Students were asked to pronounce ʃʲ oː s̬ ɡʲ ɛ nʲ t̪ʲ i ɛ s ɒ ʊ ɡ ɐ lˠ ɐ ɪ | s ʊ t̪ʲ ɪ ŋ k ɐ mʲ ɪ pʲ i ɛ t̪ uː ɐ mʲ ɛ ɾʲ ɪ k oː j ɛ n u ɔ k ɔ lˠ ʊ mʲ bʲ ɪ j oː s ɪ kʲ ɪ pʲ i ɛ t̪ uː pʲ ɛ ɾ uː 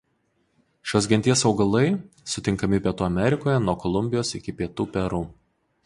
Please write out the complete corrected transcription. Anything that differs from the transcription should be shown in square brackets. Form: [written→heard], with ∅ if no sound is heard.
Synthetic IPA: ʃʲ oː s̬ ɡʲ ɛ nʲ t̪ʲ i ɛ s ɒ ʊ ɡ ɐ lˠ ɐ ɪ | s ʊ t̪ʲ ɪ ŋ k ɐ mʲ ɪ pʲ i ɛ t̪ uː ɐ mʲ ɛ ɾʲ ɪ k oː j ɛ n u ɔ k ɔ lˠ ʊ mʲ bʲ ɪ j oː s ɪ kʲ ɪ pʲ i ɛ t̪ uː pʲ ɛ ɾ uː